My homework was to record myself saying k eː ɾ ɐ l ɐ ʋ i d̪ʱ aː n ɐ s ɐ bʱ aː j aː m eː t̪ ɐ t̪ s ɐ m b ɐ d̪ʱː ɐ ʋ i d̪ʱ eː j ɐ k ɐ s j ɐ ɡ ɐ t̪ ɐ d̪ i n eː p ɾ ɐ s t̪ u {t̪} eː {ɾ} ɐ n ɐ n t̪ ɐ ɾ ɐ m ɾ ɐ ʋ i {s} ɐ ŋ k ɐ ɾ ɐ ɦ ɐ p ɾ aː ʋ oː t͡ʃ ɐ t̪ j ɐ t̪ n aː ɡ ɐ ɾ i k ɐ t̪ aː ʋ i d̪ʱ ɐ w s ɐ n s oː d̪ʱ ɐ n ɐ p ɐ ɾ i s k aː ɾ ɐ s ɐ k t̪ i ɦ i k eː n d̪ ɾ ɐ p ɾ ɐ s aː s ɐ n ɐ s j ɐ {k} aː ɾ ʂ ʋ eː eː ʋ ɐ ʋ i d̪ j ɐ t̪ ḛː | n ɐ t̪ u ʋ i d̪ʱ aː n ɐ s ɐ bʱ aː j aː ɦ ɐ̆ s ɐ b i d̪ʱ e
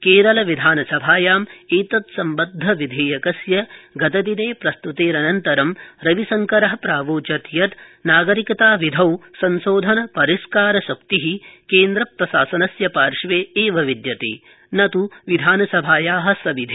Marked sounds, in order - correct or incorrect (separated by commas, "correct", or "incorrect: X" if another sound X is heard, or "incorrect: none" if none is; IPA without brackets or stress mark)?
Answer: correct, correct, correct, incorrect: p